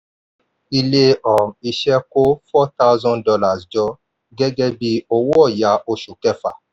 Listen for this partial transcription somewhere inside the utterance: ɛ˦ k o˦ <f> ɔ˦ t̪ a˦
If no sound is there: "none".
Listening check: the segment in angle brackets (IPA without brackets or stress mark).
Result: f